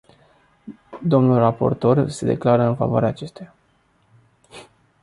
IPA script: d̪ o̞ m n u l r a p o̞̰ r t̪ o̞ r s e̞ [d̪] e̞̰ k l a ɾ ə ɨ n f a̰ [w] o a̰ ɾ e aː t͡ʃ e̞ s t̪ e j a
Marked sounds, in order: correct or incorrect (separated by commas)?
correct, incorrect